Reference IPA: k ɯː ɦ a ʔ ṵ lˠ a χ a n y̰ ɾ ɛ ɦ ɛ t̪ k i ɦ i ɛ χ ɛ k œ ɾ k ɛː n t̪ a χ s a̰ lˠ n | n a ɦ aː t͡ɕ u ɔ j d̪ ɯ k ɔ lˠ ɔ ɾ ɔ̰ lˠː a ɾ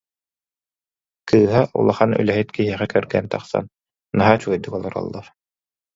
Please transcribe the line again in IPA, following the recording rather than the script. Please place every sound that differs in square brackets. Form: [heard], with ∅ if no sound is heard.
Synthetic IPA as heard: k ɯː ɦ a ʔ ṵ lˠ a χ a n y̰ [l] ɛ ɦ [i] t̪ k i ɦ i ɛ χ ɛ k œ ɾ [ɡ] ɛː n t̪ a χ s a̰ [∅] n | n a ɦ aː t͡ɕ u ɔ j d̪ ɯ k ɔ lˠ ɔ ɾ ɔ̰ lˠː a ɾ